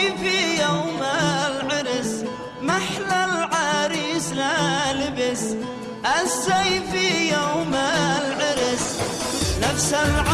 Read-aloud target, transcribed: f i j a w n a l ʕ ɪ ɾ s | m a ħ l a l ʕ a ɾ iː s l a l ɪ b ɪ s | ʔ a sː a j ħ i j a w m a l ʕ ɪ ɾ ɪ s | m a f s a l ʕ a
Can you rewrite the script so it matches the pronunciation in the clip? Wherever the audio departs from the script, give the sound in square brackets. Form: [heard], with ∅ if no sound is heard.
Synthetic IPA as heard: f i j a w [m] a l ʕ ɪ ɾ s | m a ħ l a l ʕ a ɾ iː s l a l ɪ b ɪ s | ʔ a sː a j [f] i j a w m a l ʕ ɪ ɾ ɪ s | [n] a f s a l ʕ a